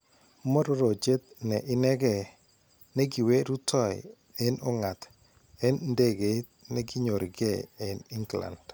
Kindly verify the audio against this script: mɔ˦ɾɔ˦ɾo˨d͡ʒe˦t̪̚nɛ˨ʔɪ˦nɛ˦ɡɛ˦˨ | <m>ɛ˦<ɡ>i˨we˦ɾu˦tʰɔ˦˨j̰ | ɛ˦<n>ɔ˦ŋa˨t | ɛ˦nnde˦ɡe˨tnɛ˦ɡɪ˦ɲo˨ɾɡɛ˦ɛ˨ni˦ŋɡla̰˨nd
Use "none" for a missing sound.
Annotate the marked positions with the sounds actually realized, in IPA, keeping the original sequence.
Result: n, ɡ, n

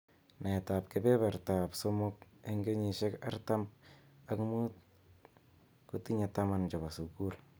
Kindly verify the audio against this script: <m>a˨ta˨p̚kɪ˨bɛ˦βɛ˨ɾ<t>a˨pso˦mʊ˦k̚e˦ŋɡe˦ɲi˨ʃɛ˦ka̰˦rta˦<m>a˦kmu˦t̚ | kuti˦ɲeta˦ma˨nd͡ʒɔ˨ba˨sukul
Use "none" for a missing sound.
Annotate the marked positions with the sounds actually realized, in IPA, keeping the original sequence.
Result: n, t, m

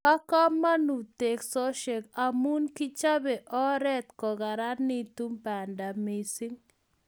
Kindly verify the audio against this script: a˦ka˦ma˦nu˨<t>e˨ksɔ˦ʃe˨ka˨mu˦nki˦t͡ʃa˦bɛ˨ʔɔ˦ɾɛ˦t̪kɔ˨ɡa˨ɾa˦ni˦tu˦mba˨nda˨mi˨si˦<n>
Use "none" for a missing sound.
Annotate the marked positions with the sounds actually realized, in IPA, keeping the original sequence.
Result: t, ŋ

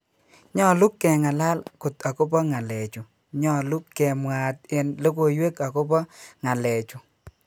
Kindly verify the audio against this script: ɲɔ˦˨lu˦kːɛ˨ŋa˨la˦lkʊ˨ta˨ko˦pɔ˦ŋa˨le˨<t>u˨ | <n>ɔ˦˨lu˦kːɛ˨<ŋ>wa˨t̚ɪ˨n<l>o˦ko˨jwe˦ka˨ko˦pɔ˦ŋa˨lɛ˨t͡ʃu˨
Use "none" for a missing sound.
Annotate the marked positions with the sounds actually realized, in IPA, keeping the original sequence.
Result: t͡ʃ, ɲ, m, l

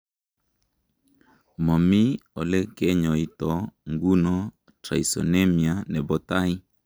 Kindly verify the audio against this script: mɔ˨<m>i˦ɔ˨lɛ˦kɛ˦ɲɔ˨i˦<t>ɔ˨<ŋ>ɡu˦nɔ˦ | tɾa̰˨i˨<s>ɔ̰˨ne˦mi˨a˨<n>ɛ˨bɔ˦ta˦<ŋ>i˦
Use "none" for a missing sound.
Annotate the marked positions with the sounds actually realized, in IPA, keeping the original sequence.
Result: m, t, ŋ, s, n, none

